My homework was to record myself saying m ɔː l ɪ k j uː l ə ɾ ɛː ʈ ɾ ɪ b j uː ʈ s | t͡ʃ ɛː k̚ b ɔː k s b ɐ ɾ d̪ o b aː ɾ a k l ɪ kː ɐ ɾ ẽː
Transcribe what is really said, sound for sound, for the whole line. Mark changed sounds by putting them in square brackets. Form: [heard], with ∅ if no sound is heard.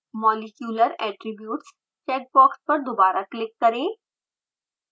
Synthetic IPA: m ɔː l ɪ k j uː l ə ɾ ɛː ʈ ɾ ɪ b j uː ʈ s | t͡ʃ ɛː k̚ b ɔː k s [p] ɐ ɾ d̪ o b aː ɾ a k l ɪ kː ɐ ɾ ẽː